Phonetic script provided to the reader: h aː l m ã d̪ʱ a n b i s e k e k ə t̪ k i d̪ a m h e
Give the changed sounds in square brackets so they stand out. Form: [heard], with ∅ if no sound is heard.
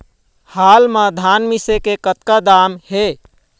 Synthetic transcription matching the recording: h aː l m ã d̪ʱ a n [m] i s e k e k ə t̪ k [a] d̪ a m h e

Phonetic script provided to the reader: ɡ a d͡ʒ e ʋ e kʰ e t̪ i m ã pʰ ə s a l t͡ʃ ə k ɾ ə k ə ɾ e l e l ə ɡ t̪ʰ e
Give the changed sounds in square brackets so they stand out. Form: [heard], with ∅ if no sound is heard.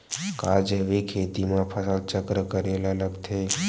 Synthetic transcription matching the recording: [k] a d͡ʒ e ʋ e kʰ e t̪ i m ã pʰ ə s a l t͡ʃ ə k ɾ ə k ə ɾ e l [a] l ə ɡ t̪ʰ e

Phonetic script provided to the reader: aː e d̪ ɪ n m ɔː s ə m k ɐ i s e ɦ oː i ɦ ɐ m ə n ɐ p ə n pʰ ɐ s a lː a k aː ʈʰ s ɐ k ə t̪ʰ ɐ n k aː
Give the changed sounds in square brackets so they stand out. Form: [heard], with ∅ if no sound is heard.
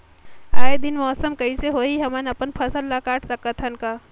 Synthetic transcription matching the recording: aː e d̪ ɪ n m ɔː s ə m k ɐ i s e ɦ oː i ɦ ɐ m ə n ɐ p ə n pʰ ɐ s [ə] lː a k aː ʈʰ s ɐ k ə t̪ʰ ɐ n k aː

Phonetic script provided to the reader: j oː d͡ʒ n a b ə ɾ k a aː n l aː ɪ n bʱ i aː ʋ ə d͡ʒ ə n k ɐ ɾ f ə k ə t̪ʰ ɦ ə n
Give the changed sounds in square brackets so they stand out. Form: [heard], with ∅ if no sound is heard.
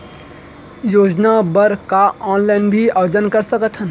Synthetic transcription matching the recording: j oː d͡ʒ n a b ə ɾ k a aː n l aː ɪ n bʱ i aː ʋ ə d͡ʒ ə n k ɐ ɾ [s] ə k ə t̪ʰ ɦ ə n

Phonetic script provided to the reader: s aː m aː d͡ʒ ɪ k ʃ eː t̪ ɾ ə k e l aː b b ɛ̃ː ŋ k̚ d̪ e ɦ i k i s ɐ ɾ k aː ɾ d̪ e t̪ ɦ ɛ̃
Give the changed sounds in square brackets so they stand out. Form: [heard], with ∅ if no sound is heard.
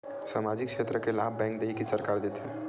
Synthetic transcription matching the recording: s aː m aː d͡ʒ ɪ k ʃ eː t̪ ɾ ə k e l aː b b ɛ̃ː ŋ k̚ d̪ e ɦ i k i s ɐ ɾ k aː ɾ d̪ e t̪ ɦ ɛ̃

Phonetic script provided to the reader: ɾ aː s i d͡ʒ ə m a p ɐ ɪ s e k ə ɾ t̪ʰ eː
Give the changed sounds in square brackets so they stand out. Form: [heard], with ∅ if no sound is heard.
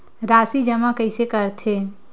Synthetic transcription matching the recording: ɾ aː s i d͡ʒ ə m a [k] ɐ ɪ s e k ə ɾ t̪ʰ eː

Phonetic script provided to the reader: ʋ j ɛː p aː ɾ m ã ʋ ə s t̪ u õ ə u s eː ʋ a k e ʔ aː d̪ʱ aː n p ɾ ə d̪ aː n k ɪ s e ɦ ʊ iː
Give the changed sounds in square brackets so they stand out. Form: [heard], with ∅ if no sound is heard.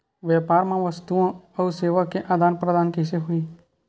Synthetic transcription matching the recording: ʋ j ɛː p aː ɾ m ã ʋ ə s t̪ u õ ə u s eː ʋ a k e ʔ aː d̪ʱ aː n p ɾ ə d̪ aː n k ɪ s e ɦ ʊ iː

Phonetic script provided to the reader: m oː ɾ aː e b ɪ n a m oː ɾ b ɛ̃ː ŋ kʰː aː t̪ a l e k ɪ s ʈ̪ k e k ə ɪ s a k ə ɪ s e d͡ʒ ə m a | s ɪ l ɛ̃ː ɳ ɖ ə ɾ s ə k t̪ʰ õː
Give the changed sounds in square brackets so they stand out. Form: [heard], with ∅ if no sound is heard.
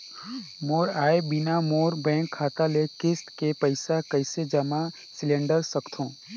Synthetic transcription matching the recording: m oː ɾ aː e b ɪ n a m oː ɾ b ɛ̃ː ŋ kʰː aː t̪ a l e k ɪ s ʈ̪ k e [p] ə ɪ s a k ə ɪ s e d͡ʒ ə m a | s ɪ l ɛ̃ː ɳ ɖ ə ɾ s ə k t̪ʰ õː

